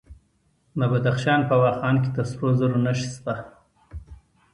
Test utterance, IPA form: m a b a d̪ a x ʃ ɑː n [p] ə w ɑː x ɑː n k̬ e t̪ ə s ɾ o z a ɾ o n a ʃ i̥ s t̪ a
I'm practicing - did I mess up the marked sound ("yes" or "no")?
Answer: no